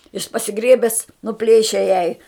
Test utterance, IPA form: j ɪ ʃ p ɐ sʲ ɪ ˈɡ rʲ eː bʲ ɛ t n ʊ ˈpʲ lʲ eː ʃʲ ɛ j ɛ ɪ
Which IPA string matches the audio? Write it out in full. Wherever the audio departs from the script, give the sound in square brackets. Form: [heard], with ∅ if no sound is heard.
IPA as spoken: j ɪ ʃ p ɐ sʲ ɪ ˈɡ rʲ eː bʲ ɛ [s] n ʊ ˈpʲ lʲ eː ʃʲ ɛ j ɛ ɪ